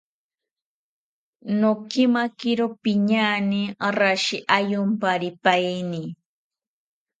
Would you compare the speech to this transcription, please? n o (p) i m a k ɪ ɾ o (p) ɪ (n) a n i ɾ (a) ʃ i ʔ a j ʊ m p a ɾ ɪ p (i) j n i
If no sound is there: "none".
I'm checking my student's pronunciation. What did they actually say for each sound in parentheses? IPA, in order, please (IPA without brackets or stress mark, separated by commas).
k, p, ɲ, a, a